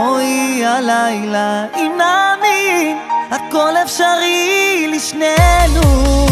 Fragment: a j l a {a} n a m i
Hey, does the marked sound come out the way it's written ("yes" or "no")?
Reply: no